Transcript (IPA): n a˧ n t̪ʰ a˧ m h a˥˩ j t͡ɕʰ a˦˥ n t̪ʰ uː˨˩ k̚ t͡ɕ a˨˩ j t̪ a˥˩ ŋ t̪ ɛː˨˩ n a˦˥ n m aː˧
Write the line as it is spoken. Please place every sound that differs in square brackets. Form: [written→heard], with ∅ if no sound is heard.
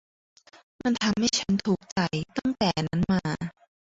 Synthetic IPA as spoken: [n→m] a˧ n t̪ʰ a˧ m h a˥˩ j t͡ɕʰ a˦˥ n t̪ʰ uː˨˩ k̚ t͡ɕ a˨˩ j t̪ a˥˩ ŋ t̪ ɛː˨˩ n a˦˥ n m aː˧